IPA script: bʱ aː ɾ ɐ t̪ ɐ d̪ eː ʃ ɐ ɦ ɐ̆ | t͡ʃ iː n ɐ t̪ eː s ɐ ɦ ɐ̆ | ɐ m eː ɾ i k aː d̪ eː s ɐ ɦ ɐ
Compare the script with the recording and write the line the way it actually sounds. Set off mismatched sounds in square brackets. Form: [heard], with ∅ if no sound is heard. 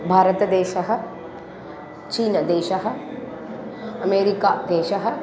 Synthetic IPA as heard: bʱ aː ɾ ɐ t̪ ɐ d̪ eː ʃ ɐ ɦ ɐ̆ | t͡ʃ iː n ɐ [d̪] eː [ʃ] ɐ ɦ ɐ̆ | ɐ m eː ɾ i k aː d̪ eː [ʃ] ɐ ɦ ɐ